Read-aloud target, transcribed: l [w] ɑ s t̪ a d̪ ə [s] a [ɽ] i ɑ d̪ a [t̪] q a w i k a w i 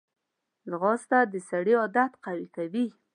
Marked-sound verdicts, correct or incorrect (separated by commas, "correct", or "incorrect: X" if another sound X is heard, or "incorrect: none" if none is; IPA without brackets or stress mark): incorrect: ɣ, correct, correct, correct